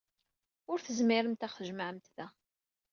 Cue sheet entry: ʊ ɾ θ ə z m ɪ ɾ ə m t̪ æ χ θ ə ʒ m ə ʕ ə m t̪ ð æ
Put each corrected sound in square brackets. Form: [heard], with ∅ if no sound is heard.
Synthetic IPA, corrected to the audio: ʊ ɾ θ ə z m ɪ ɾ ə m t̪ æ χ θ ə ʒ m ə ʕ ə m t̪ ð æ